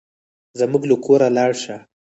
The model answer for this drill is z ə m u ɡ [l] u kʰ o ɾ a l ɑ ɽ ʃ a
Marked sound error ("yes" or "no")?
no